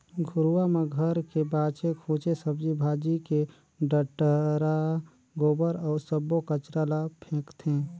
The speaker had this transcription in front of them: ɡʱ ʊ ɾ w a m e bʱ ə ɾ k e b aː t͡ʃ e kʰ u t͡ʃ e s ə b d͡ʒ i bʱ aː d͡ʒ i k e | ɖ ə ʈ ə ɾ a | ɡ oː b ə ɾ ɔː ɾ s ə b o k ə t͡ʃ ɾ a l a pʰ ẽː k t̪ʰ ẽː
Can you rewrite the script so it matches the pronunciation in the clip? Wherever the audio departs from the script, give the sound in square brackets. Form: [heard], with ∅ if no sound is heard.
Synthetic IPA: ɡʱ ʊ ɾ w a m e [ɡʱ] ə ɾ k e b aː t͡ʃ e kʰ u t͡ʃ e s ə b d͡ʒ i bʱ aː d͡ʒ i k e | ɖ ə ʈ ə ɾ a | ɡ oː b ə ɾ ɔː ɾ s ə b o k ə t͡ʃ ɾ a l a pʰ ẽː k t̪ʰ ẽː